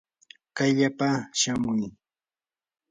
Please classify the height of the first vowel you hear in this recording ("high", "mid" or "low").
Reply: low